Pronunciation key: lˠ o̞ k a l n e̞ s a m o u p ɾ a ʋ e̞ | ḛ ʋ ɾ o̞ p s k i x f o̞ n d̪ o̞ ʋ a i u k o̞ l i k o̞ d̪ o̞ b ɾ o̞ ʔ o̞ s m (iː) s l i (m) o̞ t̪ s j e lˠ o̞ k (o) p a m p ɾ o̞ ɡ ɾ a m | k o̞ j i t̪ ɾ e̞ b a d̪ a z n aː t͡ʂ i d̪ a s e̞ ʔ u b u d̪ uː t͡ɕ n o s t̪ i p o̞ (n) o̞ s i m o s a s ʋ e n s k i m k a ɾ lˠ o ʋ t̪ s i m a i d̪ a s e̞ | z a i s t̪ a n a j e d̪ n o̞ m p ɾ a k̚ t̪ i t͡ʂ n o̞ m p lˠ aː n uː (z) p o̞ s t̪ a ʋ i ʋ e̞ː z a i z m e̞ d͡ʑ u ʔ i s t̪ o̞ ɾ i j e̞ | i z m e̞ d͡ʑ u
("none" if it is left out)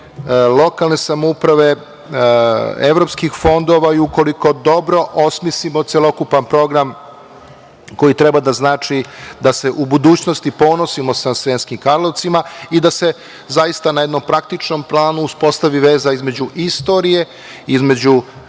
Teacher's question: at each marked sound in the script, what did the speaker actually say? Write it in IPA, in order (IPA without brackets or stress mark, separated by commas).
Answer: i, m, u, n, s